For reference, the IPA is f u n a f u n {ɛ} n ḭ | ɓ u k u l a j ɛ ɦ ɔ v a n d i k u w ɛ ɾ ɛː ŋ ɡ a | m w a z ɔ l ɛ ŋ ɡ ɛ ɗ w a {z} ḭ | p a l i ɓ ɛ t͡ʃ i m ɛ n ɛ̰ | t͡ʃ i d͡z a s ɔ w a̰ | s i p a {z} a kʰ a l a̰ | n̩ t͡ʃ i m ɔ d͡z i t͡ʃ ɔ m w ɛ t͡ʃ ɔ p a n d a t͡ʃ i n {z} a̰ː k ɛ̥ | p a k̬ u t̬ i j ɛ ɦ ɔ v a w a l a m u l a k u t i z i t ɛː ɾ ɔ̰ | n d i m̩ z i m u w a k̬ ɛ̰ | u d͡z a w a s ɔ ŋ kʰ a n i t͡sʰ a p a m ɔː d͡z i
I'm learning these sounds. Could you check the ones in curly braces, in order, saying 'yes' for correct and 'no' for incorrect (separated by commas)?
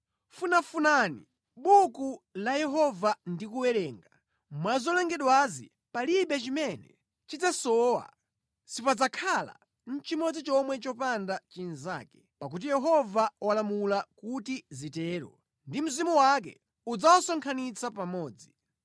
no, yes, no, yes